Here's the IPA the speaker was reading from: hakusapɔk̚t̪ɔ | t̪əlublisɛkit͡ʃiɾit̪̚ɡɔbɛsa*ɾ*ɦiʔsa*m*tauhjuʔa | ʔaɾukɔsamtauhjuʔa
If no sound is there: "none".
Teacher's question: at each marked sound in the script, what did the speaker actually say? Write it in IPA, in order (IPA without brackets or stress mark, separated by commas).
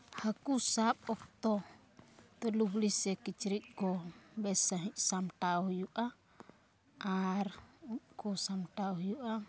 none, m